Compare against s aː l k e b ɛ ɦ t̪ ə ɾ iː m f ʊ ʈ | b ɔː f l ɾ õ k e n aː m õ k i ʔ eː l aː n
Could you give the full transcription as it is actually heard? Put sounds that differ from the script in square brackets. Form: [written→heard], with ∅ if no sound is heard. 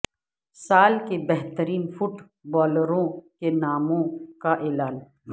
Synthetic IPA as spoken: s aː l k e b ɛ ɦ t̪ ə ɾ iː [m→n] f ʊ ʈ | b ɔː [f→∅] l ɾ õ k e n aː m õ k [i→a] ʔ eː l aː n